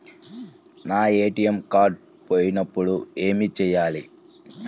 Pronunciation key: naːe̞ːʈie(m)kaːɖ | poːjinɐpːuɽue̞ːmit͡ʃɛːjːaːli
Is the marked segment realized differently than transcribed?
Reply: no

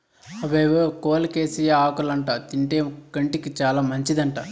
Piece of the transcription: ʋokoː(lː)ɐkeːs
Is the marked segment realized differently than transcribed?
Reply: yes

